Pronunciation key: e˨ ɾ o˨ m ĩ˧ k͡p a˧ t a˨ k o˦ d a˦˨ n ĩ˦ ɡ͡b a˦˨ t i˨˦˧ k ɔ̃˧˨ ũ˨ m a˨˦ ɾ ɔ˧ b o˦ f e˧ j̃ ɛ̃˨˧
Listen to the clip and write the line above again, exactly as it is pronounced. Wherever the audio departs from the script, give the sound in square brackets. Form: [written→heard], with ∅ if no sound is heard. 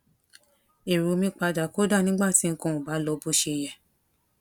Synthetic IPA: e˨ ɾ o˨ m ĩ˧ k͡p a˧ [t→d] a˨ k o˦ d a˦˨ n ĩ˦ ɡ͡b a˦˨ t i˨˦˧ k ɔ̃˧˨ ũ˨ [m→b] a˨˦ [ɾ→l] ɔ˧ b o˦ [f→ʃ] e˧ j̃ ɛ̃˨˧

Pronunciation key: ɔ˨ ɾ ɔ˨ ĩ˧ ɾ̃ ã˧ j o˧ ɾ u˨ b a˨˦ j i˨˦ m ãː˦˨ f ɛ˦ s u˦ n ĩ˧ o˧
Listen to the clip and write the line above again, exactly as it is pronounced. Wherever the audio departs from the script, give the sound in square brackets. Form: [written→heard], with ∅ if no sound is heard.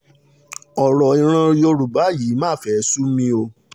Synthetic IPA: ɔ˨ ɾ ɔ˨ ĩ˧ ɾ̃ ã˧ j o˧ ɾ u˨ b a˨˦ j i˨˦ m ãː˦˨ f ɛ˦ s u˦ [n→m] ĩ˧ o˧

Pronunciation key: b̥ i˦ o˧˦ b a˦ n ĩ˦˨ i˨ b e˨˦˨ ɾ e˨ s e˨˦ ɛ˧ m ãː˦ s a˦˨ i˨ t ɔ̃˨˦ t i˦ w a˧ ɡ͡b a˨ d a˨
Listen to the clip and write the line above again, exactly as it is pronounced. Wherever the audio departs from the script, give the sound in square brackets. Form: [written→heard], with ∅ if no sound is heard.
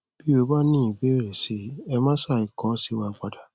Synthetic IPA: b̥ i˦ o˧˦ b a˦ n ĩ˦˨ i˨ b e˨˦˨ ɾ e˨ s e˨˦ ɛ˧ m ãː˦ s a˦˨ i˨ [t→k] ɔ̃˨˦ [t→s] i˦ w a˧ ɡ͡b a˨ d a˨

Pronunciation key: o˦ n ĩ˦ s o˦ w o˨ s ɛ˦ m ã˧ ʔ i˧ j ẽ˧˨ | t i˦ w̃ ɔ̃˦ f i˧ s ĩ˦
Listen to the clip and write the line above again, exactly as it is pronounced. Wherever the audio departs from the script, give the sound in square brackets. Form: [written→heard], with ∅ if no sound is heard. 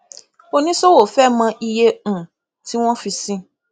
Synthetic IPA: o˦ n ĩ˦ s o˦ w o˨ [s→f] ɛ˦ m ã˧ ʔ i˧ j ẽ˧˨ | t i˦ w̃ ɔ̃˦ f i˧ s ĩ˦

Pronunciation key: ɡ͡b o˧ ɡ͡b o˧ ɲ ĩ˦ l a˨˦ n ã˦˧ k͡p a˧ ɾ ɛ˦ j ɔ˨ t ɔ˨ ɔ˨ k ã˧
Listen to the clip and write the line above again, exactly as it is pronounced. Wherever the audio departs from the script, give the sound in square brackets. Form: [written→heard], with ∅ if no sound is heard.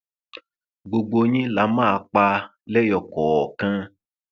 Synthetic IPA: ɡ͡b o˧ ɡ͡b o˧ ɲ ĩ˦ l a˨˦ [n→m] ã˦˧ k͡p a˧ [ɾ→l] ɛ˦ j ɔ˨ [t→k] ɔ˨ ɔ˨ k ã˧

